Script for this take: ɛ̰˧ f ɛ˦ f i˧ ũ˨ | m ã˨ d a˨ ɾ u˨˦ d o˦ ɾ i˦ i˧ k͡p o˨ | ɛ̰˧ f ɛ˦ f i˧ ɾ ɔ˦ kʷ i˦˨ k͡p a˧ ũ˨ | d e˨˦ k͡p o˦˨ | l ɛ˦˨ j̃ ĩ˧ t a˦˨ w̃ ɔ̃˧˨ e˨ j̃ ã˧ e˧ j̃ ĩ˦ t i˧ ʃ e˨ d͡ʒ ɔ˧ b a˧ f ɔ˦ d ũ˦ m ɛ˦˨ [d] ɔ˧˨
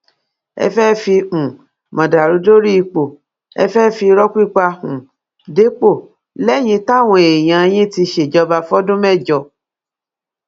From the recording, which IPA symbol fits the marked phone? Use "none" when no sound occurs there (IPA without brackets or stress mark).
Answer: d͡ʒ